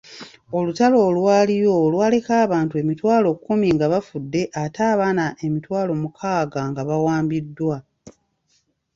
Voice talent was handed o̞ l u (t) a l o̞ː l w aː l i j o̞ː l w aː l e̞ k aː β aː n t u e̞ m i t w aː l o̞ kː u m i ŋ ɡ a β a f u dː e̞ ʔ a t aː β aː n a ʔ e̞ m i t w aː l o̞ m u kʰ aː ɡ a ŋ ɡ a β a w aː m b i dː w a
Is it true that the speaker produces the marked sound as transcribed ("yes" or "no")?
yes